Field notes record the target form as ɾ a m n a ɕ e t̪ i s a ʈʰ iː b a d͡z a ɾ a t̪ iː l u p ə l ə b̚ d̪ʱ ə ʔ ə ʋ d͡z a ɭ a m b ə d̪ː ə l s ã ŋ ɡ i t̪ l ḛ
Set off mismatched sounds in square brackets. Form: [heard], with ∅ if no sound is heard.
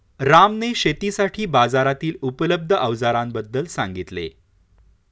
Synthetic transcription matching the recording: ɾ a m n [e] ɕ e t̪ i s a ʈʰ iː b a d͡z a ɾ a t̪ iː l u p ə l ə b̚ d̪ʱ ə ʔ ə ʋ d͡z a [ɾ] a m b ə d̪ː ə l s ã ŋ ɡ i t̪ l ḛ